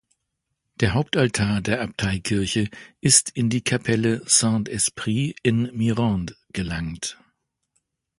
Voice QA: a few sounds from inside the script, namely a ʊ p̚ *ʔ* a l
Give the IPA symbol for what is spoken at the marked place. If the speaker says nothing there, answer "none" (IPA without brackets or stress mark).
t